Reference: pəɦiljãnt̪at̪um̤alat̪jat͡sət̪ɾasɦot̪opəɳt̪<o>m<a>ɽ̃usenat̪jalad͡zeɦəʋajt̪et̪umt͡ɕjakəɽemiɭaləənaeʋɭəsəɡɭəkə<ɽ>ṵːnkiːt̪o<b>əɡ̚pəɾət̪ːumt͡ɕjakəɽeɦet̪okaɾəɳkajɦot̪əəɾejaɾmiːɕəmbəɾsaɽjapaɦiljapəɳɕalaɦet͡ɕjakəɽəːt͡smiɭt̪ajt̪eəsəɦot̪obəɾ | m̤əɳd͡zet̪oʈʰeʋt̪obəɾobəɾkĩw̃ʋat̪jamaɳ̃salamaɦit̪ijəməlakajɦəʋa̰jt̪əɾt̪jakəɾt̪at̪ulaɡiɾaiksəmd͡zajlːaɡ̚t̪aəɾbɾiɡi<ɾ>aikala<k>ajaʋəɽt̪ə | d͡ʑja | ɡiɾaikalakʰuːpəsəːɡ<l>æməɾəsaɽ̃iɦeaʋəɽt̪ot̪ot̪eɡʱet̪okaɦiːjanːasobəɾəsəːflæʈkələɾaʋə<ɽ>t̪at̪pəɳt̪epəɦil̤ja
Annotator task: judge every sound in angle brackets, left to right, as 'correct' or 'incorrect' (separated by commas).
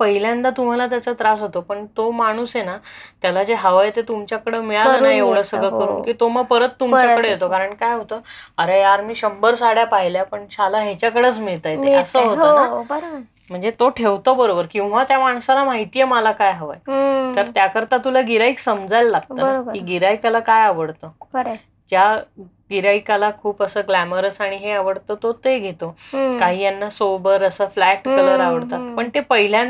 correct, correct, incorrect, incorrect, correct, correct, correct, correct